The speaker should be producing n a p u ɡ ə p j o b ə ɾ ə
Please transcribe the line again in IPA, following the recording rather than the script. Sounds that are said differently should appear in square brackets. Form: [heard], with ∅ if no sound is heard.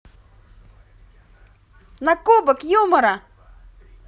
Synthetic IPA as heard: n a [k] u [b] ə [k] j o [m] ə ɾ [a]

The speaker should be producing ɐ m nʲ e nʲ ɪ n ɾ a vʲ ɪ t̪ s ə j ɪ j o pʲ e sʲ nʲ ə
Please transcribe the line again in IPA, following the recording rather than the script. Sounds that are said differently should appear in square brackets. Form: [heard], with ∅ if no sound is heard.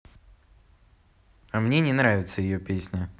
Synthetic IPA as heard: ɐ m nʲ e nʲ ɪ n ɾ a vʲ ɪ t̪ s ə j ɪ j o pʲ e sʲ nʲ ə

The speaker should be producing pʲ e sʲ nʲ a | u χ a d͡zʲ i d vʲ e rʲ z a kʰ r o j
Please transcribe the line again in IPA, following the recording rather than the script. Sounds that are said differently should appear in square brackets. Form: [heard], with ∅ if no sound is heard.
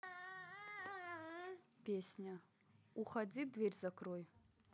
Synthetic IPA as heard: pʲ e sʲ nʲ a | u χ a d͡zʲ i d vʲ e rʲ z a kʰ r o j

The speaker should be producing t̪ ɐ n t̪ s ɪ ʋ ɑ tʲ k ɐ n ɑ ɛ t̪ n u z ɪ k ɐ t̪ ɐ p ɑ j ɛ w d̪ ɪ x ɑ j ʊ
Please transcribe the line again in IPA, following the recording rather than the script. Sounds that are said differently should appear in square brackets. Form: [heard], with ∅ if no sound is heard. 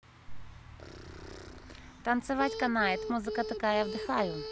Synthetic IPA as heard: t̪ ɐ n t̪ s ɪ ʋ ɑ tʲ k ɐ n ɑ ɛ t̪ [m] u z ɪ k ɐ t̪ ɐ [k] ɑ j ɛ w d̪ ɪ x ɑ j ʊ

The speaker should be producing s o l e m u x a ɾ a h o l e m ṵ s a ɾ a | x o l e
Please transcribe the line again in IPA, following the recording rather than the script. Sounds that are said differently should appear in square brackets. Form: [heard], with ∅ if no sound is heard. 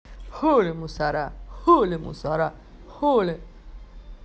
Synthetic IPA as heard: [h] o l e m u [s] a ɾ a h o l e m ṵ s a ɾ a | [h] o l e

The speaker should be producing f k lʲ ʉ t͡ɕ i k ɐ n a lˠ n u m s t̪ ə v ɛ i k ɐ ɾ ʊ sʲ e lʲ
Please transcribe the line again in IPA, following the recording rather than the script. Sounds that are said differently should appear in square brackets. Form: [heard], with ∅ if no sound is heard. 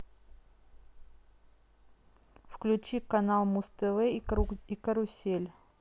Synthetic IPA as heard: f k lʲ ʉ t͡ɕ i k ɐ n a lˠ [m] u [∅] s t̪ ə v ɛ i k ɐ ɾ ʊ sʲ e lʲ

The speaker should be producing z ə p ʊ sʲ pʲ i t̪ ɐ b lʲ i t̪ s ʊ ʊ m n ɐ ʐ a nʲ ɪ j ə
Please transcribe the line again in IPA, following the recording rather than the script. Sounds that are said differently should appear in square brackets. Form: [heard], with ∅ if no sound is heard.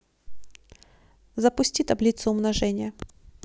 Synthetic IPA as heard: z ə p ʊ sʲ [tʲ] i t̪ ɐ b lʲ i t̪ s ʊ ʊ m n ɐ ʐ [ɛ] nʲ ɪ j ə

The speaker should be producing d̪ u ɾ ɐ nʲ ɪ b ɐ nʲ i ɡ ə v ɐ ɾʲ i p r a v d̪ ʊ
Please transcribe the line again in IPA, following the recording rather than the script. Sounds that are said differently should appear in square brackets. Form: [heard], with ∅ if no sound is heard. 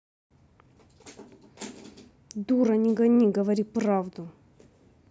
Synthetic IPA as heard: d̪ u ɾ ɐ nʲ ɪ [ɡ] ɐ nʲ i ɡ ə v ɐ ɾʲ i p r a v d̪ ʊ

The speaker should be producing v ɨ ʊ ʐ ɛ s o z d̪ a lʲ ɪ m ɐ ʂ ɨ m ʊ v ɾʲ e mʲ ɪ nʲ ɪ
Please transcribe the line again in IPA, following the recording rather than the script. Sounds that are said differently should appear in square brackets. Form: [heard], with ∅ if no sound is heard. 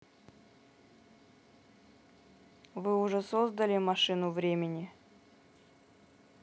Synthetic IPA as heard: v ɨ ʊ ʐ ɛ s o z d̪ [ə] lʲ ɪ m ɐ ʂ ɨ [n] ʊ v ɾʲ e mʲ ɪ nʲ ɪ

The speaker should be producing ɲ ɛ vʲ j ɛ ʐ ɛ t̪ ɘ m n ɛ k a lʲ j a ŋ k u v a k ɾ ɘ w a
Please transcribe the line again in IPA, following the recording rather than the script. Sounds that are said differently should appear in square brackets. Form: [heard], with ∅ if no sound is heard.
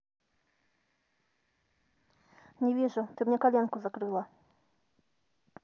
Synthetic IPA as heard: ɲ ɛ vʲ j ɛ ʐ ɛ t̪ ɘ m [ɲ] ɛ k a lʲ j a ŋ k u [z] a k ɾ ɘ w a

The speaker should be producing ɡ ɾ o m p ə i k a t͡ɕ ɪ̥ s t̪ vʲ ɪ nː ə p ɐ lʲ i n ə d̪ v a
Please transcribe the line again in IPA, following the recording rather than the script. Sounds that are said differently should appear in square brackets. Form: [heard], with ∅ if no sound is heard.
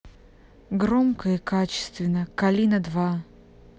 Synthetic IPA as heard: ɡ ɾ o m [k] ə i k a t͡ɕ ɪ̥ s t̪ vʲ ɪ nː ə [k] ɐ lʲ i n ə d̪ v a

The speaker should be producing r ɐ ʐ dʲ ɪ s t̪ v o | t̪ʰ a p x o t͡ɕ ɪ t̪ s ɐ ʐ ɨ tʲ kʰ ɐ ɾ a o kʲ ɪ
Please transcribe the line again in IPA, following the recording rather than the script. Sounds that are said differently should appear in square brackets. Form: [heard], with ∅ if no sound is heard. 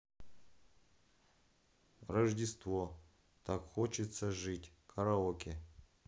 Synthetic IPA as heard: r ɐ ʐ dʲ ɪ s t̪ v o | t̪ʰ a [k] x o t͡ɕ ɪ t̪ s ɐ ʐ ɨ tʲ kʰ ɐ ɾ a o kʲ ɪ

